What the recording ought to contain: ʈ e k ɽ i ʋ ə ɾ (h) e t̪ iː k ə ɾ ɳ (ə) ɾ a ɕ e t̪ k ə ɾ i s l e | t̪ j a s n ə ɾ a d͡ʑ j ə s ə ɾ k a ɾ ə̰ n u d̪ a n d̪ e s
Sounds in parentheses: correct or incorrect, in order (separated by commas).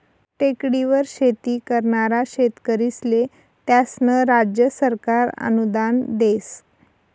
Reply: incorrect, incorrect